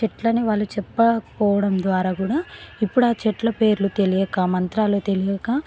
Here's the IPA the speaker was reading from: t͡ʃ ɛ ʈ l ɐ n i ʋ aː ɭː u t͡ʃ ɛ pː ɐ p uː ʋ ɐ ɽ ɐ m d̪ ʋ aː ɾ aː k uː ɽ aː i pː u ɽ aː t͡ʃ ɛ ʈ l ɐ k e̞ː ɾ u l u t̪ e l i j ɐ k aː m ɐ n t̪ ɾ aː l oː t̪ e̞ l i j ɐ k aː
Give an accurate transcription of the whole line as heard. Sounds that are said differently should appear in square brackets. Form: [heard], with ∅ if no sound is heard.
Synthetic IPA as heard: t͡ʃ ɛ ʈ l ɐ n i ʋ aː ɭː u t͡ʃ ɛ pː ɐ p [ɔː] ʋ ɐ ɽ ɐ m d̪ ʋ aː ɾ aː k uː ɽ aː i pː u ɽ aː t͡ʃ ɛ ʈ l ɐ [p] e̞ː ɾ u l u t̪ e l i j ɐ k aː m ɐ n t̪ ɾ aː l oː t̪ e̞ l i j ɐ k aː